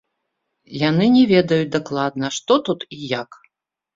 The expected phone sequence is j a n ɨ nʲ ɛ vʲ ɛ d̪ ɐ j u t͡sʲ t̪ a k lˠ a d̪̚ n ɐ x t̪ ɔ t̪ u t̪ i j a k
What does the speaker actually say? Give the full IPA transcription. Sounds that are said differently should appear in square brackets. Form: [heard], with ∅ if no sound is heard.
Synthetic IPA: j a n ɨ nʲ ɛ vʲ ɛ d̪ ɐ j u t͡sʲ [d̪] a k lˠ a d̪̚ n ɐ [ʂ] t̪ ɔ t̪ u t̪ i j a k